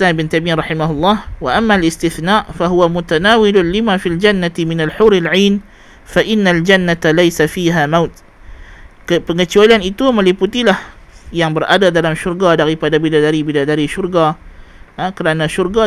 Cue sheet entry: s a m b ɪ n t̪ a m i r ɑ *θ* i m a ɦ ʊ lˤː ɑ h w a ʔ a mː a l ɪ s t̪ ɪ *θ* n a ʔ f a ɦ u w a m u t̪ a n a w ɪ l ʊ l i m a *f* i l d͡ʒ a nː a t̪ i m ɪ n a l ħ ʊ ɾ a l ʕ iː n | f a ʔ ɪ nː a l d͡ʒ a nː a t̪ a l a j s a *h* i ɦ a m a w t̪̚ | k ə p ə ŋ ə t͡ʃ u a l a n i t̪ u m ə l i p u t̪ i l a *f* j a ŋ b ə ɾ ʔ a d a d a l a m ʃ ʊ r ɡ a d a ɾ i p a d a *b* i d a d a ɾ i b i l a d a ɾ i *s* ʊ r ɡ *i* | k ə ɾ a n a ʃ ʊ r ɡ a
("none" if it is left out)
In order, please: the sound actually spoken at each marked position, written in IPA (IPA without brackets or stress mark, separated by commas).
ħ, θ, f, f, h, b, ʃ, a